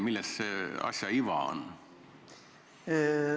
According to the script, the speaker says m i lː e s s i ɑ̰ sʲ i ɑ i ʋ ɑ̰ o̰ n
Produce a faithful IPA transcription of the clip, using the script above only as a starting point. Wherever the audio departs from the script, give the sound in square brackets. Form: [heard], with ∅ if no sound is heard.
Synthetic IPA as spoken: m i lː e s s [e] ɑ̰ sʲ [j] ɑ i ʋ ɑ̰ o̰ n